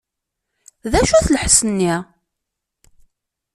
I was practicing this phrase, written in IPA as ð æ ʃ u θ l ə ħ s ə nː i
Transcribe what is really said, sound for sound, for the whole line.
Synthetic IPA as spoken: ð æ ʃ u θ l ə ħ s ə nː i

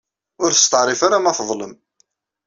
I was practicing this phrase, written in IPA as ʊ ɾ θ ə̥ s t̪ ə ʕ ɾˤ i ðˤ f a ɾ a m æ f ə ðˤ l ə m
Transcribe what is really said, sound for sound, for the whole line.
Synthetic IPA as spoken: ʊ ɾ θ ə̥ s t̪ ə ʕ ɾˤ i f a ɾ a m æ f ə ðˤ l ə m

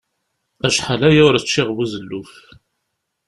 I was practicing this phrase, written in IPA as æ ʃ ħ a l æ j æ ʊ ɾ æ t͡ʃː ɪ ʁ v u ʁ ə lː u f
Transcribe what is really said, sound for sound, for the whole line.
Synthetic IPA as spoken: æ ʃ ħ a l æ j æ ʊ ɾ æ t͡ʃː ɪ ʁ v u z ə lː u f

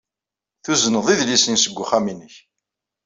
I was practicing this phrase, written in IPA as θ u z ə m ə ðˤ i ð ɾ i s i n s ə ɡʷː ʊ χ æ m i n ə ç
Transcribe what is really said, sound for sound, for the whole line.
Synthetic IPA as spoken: θ u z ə n ə ðˤ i ð l i s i n s ə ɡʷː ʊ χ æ m i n ə ç

